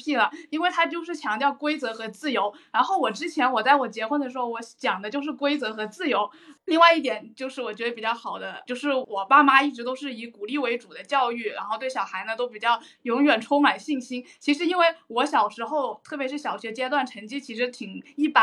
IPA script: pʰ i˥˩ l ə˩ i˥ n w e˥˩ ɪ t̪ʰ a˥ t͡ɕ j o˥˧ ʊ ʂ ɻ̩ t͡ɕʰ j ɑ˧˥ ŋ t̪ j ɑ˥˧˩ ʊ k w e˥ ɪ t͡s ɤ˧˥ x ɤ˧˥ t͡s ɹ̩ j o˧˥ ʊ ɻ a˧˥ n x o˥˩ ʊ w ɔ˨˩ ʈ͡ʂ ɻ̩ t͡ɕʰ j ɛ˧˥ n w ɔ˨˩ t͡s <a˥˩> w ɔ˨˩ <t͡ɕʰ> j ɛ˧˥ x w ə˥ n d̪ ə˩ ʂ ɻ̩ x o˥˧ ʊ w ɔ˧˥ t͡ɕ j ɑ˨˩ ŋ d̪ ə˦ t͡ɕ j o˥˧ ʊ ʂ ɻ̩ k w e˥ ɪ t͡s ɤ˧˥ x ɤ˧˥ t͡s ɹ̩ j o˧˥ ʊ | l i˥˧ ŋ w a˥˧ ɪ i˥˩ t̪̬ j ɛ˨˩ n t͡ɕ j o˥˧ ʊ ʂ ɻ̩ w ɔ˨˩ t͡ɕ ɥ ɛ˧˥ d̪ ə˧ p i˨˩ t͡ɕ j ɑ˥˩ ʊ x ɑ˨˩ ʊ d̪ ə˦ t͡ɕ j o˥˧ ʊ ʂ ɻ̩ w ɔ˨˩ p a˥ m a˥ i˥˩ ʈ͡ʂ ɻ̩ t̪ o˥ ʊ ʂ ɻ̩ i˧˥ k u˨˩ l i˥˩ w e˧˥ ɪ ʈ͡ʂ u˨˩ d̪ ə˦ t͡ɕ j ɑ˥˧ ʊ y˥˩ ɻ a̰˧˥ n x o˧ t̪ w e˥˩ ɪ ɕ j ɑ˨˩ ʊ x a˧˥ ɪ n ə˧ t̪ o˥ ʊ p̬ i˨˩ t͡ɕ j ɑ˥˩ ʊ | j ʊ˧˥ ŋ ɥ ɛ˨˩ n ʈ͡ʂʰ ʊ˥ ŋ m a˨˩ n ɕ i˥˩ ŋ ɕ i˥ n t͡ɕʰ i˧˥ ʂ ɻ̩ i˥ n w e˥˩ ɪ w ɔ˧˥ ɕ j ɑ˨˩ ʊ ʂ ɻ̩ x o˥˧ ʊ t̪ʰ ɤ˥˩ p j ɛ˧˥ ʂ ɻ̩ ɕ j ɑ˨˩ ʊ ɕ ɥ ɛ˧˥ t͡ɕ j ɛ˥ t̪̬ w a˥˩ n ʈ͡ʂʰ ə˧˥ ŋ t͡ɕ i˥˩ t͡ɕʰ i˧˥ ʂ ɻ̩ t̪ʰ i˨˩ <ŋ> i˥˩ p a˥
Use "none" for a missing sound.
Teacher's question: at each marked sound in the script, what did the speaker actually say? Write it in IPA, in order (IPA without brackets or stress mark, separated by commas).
a˥˩, t͡ɕ, ŋ